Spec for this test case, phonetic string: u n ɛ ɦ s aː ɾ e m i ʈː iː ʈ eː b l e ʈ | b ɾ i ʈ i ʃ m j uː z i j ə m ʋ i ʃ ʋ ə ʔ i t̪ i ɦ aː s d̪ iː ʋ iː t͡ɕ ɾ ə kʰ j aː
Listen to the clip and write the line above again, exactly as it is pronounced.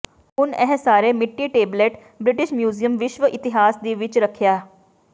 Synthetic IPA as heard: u n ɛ ɦ s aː ɾ e m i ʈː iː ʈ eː b l e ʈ | b ɾ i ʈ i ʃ m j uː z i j ə m ʋ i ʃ ʋ ə ʔ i t̪ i ɦ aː s d̪ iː ʋ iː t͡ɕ ɾ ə kʰ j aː